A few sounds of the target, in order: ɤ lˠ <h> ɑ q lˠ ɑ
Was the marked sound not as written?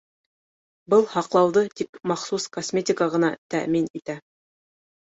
no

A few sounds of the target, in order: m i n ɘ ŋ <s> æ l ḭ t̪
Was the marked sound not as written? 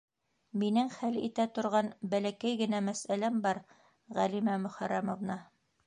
yes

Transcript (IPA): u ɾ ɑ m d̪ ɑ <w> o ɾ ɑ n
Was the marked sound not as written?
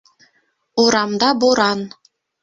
yes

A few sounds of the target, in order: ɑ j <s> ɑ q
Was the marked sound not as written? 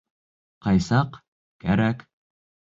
no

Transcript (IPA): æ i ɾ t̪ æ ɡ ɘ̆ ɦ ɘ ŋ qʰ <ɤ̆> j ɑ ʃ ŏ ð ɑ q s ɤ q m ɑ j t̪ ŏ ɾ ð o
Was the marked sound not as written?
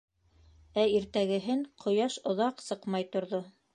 yes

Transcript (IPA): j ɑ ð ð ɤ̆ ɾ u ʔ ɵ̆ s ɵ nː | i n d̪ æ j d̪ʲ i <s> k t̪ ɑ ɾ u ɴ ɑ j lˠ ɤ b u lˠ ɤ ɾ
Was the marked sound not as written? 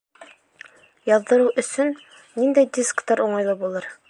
no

